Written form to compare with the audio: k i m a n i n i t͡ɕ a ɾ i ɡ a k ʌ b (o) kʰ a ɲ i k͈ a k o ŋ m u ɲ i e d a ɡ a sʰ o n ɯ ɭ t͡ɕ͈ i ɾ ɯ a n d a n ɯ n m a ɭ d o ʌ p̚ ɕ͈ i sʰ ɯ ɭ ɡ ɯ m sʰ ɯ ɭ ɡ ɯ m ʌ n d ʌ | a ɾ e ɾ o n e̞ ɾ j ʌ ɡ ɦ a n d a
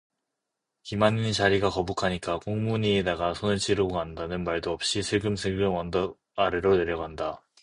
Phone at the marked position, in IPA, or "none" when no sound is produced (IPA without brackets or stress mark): u